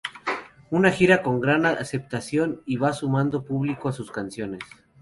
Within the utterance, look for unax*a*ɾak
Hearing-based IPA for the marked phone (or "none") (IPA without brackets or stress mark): i